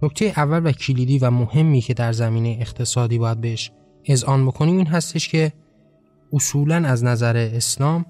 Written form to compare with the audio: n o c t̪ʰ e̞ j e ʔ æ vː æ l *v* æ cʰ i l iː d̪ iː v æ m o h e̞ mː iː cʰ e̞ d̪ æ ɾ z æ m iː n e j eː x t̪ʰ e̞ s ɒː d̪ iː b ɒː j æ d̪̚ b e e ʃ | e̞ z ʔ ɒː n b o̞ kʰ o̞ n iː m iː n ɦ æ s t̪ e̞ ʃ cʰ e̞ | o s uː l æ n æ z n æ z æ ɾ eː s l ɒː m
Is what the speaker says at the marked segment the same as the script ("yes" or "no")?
yes